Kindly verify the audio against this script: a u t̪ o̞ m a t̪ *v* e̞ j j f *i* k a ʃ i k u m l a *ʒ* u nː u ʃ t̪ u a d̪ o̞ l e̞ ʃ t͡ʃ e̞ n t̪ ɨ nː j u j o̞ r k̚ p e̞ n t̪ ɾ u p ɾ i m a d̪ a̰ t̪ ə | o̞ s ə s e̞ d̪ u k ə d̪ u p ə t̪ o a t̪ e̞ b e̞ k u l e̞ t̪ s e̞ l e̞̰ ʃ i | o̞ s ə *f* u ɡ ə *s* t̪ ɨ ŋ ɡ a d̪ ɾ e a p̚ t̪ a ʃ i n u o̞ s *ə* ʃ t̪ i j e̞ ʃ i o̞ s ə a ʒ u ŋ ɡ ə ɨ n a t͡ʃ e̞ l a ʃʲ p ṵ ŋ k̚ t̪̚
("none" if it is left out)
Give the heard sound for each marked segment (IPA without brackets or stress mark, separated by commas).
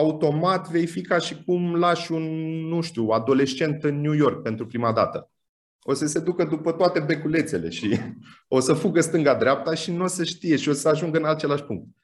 v, i, ʃ, f, s, ə